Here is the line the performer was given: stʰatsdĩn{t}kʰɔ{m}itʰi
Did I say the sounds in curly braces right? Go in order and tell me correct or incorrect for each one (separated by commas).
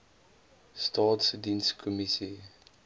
incorrect, correct